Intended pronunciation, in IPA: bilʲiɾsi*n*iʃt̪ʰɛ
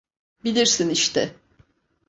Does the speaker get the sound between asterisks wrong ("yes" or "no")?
no